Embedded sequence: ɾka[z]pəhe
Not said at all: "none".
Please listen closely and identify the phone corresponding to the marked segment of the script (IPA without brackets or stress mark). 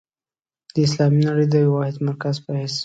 z